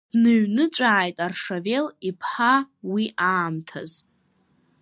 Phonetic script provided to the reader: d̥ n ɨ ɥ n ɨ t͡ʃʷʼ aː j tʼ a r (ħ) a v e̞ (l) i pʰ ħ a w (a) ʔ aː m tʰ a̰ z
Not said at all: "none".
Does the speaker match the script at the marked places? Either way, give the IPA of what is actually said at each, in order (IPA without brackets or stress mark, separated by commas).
ʂ, l, i